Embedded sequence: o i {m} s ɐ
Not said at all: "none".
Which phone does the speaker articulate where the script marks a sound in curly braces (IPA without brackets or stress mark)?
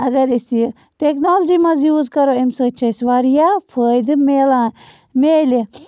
m